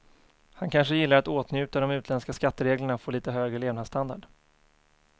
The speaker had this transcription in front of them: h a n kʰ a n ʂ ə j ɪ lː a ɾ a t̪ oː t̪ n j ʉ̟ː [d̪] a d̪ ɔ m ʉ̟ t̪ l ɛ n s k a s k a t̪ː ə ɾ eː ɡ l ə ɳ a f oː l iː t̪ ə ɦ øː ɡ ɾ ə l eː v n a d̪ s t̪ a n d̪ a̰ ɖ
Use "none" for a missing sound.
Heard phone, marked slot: t̪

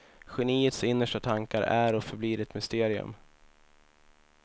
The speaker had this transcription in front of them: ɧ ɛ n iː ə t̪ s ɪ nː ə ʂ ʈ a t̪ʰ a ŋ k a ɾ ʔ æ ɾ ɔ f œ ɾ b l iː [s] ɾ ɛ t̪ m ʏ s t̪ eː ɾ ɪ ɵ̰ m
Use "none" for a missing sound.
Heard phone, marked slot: none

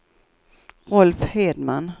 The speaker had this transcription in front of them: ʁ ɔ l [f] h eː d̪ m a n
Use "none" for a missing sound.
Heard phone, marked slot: f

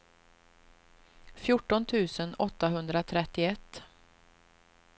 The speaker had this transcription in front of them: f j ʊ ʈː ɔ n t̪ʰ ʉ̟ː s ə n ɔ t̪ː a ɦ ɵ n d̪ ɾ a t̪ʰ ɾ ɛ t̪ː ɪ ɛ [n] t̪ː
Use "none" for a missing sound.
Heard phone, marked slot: none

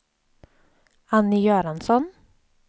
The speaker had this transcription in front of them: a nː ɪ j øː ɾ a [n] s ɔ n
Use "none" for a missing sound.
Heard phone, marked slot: n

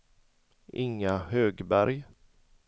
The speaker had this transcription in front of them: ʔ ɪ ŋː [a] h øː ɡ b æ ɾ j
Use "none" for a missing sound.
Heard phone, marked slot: a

